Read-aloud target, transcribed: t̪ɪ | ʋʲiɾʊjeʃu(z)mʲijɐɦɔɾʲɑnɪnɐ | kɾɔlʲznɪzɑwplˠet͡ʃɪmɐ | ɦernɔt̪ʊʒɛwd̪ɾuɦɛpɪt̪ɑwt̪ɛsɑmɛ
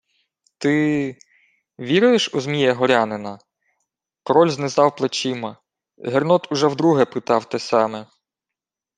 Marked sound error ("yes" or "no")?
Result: no